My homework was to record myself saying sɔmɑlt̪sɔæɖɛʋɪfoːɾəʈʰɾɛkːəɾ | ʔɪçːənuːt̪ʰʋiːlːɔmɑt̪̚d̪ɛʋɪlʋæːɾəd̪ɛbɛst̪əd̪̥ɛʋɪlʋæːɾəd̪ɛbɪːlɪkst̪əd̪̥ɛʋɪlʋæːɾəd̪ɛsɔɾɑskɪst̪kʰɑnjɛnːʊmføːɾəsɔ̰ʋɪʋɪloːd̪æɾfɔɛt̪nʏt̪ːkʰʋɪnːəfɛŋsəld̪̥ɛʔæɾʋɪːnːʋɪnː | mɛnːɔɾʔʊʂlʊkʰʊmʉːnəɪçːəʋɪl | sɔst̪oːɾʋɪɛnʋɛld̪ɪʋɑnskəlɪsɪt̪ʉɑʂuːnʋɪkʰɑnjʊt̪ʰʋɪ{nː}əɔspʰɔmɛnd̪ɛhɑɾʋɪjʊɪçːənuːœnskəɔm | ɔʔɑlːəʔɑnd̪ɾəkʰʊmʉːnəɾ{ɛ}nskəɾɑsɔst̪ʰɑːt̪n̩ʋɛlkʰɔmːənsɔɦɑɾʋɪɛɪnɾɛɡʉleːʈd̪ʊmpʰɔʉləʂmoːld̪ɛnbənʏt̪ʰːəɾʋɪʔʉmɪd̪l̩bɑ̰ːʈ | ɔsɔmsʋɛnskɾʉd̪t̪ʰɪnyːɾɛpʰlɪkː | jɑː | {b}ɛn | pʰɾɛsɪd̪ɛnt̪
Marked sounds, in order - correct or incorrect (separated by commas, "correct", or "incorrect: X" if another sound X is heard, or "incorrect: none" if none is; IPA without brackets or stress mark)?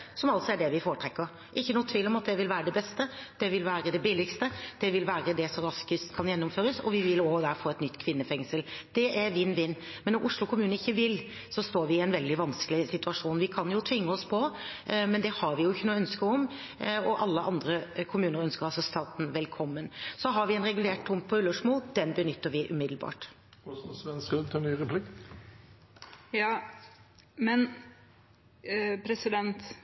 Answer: incorrect: ŋː, incorrect: œ, incorrect: m